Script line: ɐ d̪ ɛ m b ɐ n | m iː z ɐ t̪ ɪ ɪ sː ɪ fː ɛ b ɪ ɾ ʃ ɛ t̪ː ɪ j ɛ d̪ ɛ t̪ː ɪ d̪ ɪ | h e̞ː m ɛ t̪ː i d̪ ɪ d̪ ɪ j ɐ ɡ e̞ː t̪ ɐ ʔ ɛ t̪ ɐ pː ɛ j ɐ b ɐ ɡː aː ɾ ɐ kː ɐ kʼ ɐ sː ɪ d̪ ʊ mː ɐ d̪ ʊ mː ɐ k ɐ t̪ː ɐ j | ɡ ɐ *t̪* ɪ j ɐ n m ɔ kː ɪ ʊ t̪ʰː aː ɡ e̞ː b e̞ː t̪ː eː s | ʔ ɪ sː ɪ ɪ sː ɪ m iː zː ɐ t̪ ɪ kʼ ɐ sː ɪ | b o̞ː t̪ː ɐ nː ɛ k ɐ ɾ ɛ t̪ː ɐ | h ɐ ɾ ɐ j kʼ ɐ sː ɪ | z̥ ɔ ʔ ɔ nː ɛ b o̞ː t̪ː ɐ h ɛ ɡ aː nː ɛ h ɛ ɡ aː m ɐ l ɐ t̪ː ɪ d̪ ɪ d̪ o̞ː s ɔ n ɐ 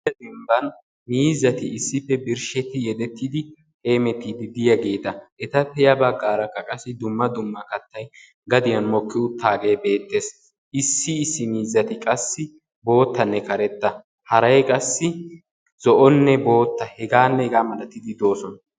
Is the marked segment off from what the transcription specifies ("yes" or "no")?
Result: yes